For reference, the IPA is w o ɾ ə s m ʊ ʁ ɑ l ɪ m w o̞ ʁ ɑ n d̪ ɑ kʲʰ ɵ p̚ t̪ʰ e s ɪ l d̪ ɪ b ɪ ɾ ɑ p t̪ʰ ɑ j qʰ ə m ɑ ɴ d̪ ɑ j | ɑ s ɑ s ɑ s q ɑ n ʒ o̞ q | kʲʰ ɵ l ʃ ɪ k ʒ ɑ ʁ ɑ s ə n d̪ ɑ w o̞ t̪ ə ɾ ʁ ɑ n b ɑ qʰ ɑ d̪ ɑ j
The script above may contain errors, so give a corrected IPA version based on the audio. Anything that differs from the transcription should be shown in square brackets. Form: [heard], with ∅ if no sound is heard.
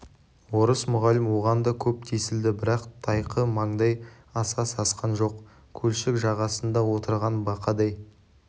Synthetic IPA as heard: w o ɾ ə s m ʊ ʁ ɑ l ɪ m w o̞ ʁ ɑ n d̪ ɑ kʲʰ ɵ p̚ t̪ʰ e s ɪ l d̪ ɪ b ɪ ɾ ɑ [q] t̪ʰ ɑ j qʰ ə m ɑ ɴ d̪ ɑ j | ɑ s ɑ s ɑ s q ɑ n ʒ o̞ q | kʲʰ ɵ l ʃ ɪ k ʒ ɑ ʁ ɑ s ə n d̪ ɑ w o̞ t̪ ə ɾ ʁ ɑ n b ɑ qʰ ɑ d̪ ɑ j

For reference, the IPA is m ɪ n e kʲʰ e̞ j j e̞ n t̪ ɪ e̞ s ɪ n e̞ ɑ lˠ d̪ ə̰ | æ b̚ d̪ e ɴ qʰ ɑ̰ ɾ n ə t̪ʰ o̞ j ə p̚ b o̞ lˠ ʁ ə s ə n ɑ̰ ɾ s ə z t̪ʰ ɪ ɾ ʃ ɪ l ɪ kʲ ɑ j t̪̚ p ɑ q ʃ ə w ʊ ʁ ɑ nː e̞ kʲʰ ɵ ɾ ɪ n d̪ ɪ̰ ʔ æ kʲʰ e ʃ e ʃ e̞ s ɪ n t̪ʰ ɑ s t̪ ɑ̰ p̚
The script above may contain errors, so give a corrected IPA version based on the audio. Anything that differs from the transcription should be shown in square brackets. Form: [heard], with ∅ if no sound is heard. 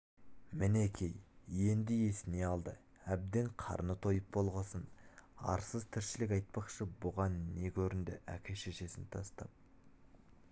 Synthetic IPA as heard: m ɪ n e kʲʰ e̞ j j e̞ n [d̪] ɪ e̞ s ɪ n e̞ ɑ lˠ d̪ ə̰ | æ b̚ d̪ e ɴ qʰ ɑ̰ ɾ n ə t̪ʰ o̞ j ə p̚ b o̞ lˠ ʁ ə s ə n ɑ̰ ɾ s ə z t̪ʰ ɪ ɾ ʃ ɪ l ɪ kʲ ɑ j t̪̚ p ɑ q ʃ ə [b] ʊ ʁ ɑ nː e̞ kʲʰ ɵ ɾ ɪ n d̪ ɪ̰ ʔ æ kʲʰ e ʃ e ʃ e̞ s ɪ n t̪ʰ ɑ s t̪ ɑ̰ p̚

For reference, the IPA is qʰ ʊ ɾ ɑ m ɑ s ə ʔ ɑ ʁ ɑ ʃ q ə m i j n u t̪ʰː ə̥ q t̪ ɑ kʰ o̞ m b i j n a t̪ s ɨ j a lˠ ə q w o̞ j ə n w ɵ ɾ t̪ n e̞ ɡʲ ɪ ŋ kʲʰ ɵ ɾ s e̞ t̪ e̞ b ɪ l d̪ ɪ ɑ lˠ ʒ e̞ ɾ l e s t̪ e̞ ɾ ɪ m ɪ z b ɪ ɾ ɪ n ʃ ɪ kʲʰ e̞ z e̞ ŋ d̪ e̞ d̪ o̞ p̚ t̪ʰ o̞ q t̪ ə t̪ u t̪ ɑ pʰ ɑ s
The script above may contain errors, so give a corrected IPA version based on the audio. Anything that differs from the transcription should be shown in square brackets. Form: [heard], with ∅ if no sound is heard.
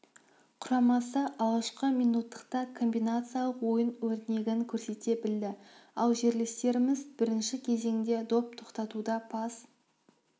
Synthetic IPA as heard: qʰ ʊ ɾ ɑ m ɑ s ə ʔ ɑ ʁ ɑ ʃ q ə m i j n u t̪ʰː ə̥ q t̪ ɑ kʰ o̞ m b i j n a t̪ s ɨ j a lˠ ə q w o̞ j ə n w ɵ ɾ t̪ n e̞ ɡʲ ɪ ŋ kʲʰ ɵ ɾ s e̞ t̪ e̞ b ɪ l d̪ ɪ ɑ lˠ ʒ e̞ ɾ l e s t̪ e̞ ɾ ɪ m ɪ z b ɪ ɾ ɪ n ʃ ɪ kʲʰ e̞ z e̞ ŋ d̪ e̞ d̪ o̞ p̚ t̪ʰ o̞ q t̪ [ɑ] t̪ u [d̪] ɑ pʰ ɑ s

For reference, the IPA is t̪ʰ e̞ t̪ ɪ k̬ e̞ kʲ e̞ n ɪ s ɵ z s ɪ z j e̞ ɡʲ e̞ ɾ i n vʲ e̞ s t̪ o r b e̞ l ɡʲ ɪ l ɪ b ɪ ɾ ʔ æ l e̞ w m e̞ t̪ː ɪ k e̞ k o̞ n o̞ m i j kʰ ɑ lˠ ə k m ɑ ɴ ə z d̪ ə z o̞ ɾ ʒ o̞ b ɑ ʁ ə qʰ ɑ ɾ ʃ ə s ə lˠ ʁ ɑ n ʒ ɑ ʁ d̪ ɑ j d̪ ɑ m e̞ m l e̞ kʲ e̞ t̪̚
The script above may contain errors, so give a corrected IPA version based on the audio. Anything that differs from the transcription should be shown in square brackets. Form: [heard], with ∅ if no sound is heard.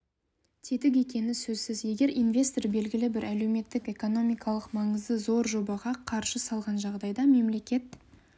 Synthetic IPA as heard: t̪ʰ e̞ t̪ ɪ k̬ e̞ kʲ e̞ n ɪ s ɵ z s ɪ z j e̞ ɡʲ e̞ ɾ i n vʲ e̞ s t̪ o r b e̞ l ɡʲ ɪ l ɪ b ɪ ɾ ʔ æ l e̞ w m e̞ t̪ː ɪ k e̞ k o̞ n o̞ m i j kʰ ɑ lˠ ə [q] m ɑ ɴ ə z d̪ ə z o̞ ɾ ʒ o̞ b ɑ ʁ [ɑ] qʰ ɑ ɾ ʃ ə s [ɑ] lˠ ʁ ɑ n ʒ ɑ ʁ d̪ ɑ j d̪ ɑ m e̞ m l e̞ kʲ e̞ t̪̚

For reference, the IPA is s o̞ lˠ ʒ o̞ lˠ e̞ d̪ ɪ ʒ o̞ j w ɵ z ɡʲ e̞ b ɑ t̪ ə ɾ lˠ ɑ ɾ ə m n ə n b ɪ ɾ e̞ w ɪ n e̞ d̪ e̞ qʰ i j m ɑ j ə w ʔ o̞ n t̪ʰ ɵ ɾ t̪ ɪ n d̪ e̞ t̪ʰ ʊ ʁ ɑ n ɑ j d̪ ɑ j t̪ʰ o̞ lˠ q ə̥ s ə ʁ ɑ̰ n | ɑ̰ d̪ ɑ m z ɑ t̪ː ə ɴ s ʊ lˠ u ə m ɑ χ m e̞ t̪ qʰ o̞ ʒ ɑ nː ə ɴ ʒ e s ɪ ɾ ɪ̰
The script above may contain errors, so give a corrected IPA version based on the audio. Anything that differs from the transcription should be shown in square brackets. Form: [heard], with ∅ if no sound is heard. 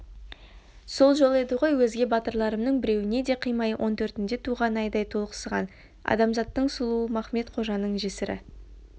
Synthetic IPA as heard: s o̞ lˠ ʒ o̞ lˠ e̞ d̪ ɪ [ʁ] o̞ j w ɵ z ɡʲ e̞ b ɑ t̪ ə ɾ lˠ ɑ ɾ ə m n ə [ɴ] b ɪ ɾ e̞ w ɪ n e̞ d̪ e̞ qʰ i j m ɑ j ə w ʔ o̞ n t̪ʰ ɵ ɾ t̪ ɪ n d̪ e̞ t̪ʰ [u] ʁ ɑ n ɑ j d̪ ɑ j t̪ʰ o̞ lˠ q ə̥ s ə ʁ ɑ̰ n | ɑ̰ d̪ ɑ m z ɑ t̪ː ə ɴ s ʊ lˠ u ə m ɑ χ m e̞ t̪ qʰ o̞ ʒ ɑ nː ə ɴ ʒ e s ɪ ɾ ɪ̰

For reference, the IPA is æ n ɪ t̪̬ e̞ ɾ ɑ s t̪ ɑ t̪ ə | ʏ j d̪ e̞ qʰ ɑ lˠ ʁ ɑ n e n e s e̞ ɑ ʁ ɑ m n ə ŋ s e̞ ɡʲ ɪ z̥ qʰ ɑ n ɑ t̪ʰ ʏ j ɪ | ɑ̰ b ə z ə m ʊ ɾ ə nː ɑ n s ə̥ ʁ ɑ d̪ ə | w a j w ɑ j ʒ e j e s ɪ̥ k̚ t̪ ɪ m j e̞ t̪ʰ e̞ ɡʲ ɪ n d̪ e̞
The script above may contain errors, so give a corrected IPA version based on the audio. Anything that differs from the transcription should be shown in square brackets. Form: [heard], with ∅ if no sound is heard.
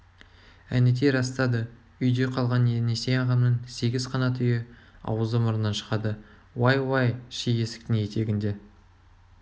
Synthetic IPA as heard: æ n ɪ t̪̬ e̞ ɾ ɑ s t̪ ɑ [d̪] ə | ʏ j d̪ e̞ qʰ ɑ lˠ ʁ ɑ n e n e s e̞ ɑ ʁ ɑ m n ə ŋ s e̞ ɡʲ ɪ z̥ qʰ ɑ n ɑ t̪ʰ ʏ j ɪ | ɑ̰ [w] ə z ə m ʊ ɾ ə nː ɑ n [ʃ] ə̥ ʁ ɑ d̪ ə | w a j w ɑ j [ʃ] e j e s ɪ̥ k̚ t̪ ɪ [ŋ] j e̞ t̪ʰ e̞ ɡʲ ɪ n d̪ e̞

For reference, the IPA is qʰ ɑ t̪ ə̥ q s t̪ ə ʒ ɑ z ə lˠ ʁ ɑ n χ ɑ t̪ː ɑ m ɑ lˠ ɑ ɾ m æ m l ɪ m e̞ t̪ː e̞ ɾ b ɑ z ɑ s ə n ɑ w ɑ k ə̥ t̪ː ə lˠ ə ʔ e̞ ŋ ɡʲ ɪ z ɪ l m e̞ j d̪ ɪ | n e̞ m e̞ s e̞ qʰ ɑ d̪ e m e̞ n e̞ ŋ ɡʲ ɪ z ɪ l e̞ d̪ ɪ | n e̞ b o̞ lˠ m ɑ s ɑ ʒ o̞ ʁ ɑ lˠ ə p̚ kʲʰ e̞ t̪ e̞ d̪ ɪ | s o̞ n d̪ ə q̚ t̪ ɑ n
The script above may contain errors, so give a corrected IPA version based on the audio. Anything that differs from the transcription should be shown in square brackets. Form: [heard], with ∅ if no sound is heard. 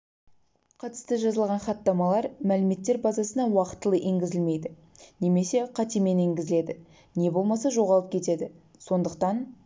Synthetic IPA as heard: qʰ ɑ t̪ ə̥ [∅] s t̪ ə ʒ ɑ z ə lˠ ʁ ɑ n χ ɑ t̪ː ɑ m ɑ lˠ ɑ ɾ m æ [∅] l ɪ m e̞ t̪ː e̞ ɾ b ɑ z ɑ s ə n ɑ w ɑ [q] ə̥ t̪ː ə lˠ ə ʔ e̞ ŋ ɡʲ ɪ z ɪ l m e̞ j d̪ ɪ | n e̞ m e̞ s e̞ qʰ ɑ [t̪] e m e̞ n e̞ ŋ ɡʲ ɪ z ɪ l e̞ d̪ ɪ | n e̞ b o̞ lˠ m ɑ s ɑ ʒ o̞ ʁ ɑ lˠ ə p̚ kʲʰ e̞ t̪ e̞ d̪ ɪ | s o̞ n d̪ ə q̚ t̪ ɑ n

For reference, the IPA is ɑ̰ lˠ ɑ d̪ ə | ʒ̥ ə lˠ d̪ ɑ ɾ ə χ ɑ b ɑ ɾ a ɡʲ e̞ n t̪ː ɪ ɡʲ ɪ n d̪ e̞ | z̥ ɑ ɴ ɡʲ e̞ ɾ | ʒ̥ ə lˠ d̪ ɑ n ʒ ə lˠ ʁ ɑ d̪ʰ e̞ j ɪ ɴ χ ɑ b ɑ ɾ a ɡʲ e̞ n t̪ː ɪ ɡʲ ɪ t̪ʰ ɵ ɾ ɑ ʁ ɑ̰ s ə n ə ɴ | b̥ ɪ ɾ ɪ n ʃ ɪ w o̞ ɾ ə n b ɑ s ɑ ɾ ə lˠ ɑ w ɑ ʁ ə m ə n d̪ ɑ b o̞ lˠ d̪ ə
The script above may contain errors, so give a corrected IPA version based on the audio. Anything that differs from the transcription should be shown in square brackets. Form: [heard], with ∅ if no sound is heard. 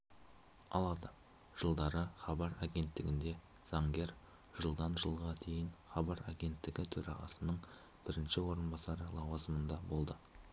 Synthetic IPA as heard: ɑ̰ lˠ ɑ d̪ ə | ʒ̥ ə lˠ d̪ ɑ ɾ ə χ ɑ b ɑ ɾ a ɡʲ e̞ n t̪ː ɪ ɡʲ ɪ n d̪ e̞ | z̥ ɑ [ŋ] ɡʲ e̞ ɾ | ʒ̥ ə lˠ d̪ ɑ n ʒ ə lˠ ʁ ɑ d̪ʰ e̞ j ɪ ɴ χ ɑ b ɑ ɾ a ɡʲ e̞ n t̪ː ɪ ɡʲ ɪ t̪ʰ ɵ ɾ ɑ ʁ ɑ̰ s ə n ə ɴ | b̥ ɪ ɾ ɪ n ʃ ɪ w o̞ ɾ ə n b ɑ s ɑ ɾ ə lˠ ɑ w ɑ [z] ə m ə n d̪ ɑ b o̞ lˠ d̪ ə

